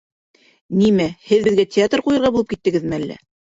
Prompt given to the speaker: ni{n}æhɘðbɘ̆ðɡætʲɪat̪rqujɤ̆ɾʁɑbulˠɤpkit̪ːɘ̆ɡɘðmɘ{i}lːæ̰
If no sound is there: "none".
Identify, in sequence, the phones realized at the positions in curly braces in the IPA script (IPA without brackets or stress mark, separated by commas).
m, æ